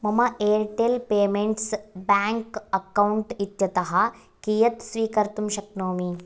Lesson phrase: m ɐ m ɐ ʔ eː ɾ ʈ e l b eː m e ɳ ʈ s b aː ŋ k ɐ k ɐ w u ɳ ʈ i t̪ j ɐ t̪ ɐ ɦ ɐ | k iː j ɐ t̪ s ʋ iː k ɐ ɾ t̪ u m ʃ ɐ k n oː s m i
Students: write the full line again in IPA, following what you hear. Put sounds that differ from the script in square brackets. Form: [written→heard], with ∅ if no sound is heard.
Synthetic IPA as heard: m ɐ m ɐ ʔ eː ɾ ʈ e l [b→p] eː m e ɳ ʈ s b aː ŋ k ɐ k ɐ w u ɳ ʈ i t̪ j ɐ t̪ ɐ ɦ ɐ | k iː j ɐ t̪ s ʋ iː k ɐ ɾ t̪ u m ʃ ɐ k n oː [s→∅] m i